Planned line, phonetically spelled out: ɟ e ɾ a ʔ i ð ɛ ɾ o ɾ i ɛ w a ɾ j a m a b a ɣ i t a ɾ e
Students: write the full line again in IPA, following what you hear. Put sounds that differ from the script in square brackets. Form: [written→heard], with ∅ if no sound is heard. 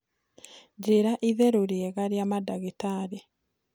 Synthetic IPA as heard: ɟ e ɾ a ʔ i ð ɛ ɾ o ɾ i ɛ [w→ɣ] a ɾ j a m a [b→d] a ɣ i t a ɾ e